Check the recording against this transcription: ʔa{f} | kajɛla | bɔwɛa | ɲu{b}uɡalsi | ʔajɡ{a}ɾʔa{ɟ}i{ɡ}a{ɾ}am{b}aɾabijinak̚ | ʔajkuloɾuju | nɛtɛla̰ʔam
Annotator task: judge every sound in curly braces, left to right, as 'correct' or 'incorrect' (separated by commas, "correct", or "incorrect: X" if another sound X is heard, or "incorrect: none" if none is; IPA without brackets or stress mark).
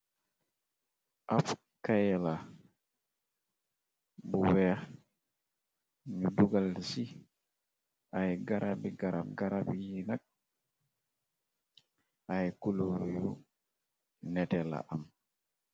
correct, incorrect: d, correct, incorrect: b, correct, correct, incorrect: ɡ